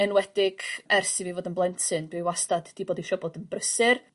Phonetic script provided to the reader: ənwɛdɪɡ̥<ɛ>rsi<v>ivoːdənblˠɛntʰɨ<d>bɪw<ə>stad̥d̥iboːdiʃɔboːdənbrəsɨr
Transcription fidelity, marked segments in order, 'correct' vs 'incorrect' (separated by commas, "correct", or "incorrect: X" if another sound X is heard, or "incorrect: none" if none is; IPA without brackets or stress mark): correct, correct, incorrect: n, incorrect: a